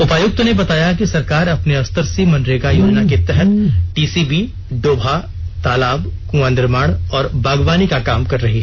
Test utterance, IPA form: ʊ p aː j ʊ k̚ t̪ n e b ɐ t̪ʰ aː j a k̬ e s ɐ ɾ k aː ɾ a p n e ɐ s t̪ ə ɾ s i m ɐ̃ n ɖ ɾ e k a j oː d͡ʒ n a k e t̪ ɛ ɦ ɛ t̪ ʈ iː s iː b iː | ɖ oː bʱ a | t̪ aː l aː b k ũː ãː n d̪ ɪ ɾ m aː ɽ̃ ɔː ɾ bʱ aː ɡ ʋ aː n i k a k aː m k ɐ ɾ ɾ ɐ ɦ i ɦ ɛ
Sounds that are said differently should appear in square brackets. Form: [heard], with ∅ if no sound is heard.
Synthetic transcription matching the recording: ʊ p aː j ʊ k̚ t̪ n e b ɐ [t̪] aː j a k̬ [i] s ɐ ɾ k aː ɾ [ɐ] p n e ɐ s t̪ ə ɾ s i m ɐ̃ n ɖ ɾ e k a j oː d͡ʒ n a k e t̪ ɛ ɦ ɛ t̪ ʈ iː s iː b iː | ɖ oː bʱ a | t̪ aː l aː b k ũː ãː n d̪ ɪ ɾ m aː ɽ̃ ɔː ɾ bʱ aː ɡ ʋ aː n i k a k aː m k ɐ ɾ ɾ ɐ ɦ i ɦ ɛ